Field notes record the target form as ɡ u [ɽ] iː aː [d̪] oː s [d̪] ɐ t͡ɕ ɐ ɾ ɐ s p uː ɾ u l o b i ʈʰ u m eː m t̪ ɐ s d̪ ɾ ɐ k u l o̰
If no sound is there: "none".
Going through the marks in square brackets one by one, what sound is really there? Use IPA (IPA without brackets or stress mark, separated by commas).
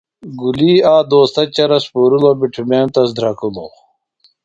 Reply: l, d̪, t̪